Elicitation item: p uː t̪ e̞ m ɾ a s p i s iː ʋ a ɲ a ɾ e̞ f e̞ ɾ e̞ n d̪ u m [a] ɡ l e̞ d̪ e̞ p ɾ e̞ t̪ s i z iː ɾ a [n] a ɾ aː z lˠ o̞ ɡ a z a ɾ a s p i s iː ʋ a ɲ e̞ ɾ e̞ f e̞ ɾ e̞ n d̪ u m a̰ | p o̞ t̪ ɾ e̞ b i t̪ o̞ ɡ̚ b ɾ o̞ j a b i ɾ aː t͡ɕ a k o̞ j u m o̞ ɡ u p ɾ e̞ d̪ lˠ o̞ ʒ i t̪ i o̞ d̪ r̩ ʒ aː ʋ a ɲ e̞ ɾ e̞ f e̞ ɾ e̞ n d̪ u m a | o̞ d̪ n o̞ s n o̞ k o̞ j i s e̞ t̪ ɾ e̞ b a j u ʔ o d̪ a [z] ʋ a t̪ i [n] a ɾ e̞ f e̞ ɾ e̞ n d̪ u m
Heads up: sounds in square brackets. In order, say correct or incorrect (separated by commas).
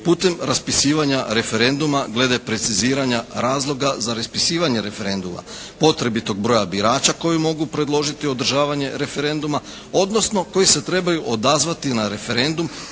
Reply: correct, incorrect, correct, correct